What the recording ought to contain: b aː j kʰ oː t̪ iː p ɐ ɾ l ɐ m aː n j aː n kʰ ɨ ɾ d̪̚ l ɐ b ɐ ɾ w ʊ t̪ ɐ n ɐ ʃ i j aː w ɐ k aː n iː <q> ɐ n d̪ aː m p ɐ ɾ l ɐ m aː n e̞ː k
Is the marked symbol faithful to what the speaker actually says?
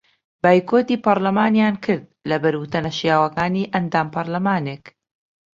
no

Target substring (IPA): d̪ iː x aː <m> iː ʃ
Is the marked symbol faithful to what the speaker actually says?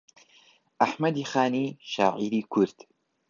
no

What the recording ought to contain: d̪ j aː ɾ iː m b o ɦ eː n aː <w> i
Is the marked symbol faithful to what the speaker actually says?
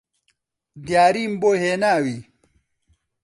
yes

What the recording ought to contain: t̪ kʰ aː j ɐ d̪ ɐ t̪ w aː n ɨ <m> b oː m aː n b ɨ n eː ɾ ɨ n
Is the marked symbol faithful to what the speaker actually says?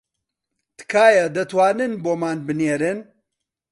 no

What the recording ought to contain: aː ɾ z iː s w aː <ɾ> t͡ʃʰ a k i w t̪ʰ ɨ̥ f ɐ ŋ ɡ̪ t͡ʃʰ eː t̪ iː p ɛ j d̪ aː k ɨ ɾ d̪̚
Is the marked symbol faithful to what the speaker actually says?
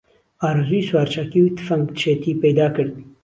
yes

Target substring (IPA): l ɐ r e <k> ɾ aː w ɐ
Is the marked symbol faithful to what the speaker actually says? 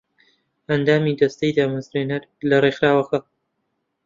no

